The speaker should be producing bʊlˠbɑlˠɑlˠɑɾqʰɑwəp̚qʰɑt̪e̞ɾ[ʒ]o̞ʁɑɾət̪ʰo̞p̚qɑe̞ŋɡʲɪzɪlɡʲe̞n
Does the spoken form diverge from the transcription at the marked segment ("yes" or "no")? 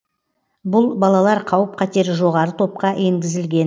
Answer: no